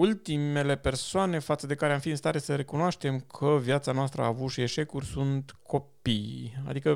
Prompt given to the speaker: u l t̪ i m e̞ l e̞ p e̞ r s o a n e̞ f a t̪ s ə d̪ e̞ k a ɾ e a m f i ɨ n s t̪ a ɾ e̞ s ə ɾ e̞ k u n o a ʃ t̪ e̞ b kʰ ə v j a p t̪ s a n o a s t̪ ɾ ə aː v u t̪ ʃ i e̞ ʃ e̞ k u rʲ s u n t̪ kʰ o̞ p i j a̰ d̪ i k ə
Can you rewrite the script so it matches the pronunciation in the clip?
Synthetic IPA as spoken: u l t̪ i m e̞ l e̞ p e̞ r s o a n e̞ f a t̪ s ə d̪ e̞ k a ɾ e a m f i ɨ n s t̪ a ɾ e̞ s ə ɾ e̞ k u n o a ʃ t̪ e̞ m kʰ ə v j a t̪ s a n o a s t̪ ɾ ə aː v u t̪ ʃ i e̞ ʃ e̞ k u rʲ s u n t̪ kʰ o̞ p i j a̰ d̪ i k ə